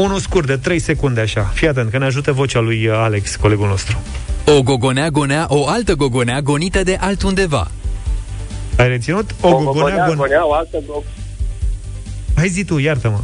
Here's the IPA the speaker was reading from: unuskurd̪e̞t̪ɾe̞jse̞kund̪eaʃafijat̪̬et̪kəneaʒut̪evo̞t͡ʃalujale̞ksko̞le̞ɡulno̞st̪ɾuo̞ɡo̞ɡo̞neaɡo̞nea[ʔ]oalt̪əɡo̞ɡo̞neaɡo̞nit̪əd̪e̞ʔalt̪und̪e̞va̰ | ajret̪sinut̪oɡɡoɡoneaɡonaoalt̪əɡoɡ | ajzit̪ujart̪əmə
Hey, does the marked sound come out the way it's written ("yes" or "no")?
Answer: yes